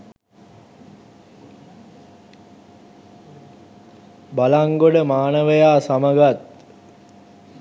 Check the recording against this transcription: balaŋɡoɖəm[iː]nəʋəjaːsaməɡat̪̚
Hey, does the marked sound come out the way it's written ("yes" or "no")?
no